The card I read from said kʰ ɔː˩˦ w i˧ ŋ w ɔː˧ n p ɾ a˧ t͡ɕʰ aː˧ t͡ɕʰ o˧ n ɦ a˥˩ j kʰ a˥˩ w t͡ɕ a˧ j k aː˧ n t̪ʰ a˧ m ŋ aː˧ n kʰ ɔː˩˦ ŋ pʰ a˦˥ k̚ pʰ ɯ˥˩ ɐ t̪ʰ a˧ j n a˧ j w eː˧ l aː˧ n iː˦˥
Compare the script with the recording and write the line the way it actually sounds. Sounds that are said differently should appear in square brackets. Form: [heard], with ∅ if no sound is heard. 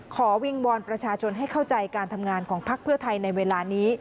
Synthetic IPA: kʰ ɔː˩˦ w i˧ ŋ w ɔː˧ n p ɾ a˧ t͡ɕʰ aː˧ t͡ɕʰ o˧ n ɦ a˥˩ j kʰ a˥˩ w t͡ɕ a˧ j k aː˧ n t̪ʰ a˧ m ŋ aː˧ n kʰ ɔː˩˦ ŋ pʰ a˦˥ k̚ pʰ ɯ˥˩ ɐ t̪ʰ a˧ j n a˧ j w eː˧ l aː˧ n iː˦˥